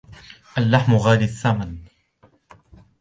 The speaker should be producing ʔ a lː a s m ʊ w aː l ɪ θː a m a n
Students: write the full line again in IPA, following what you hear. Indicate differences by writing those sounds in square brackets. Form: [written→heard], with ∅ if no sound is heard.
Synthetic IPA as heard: ʔ a lː a [s→ħ] m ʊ [w→ɣ] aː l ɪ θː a m a n